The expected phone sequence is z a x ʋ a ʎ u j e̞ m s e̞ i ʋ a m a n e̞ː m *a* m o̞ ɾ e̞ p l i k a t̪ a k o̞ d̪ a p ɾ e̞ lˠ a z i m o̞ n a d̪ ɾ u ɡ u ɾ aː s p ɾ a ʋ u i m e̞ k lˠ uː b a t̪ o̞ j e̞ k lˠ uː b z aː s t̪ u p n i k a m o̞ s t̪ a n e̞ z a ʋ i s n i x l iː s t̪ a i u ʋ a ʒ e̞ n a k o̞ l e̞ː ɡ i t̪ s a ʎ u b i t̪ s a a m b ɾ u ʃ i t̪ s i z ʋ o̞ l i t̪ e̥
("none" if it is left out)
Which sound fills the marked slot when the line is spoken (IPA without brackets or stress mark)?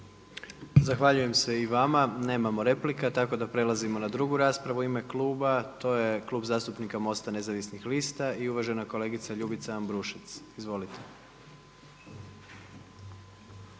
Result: a